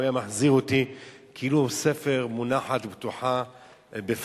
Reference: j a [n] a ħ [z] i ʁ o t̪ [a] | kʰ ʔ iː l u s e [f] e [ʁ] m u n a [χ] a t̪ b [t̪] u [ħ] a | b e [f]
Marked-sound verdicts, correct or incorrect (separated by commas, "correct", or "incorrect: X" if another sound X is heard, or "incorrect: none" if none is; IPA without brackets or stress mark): incorrect: m, correct, incorrect: i, correct, correct, incorrect: ħ, correct, correct, correct